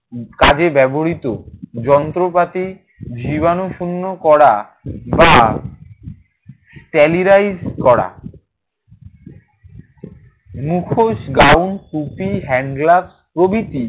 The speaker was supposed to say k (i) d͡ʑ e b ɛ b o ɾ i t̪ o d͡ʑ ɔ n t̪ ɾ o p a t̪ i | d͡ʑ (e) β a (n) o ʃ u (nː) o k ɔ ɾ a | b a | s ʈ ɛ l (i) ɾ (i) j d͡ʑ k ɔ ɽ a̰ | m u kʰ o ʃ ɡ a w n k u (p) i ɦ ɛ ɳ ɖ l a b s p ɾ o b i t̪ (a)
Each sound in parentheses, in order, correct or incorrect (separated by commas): incorrect, incorrect, correct, correct, correct, incorrect, correct, incorrect